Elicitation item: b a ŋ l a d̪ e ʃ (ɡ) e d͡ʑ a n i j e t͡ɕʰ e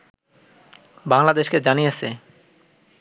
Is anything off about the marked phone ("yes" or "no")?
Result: yes